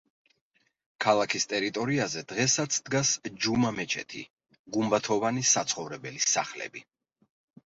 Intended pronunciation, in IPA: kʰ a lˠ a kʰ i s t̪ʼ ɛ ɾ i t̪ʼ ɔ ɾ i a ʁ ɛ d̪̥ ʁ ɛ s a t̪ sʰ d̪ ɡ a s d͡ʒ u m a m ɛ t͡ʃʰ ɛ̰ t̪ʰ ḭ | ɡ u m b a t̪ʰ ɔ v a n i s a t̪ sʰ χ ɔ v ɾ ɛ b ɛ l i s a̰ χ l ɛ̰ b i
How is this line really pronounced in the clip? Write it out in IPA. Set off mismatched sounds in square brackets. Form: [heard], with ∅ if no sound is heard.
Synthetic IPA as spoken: kʰ a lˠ a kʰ i s t̪ʼ ɛ ɾ i t̪ʼ ɔ ɾ i a [z] ɛ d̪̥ ʁ ɛ s a t̪ sʰ d̪ ɡ a s d͡ʒ u m a m ɛ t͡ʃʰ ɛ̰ t̪ʰ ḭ | ɡ u m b a t̪ʰ ɔ v a n i s a t̪ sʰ χ ɔ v ɾ ɛ b ɛ l i s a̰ χ l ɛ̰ b i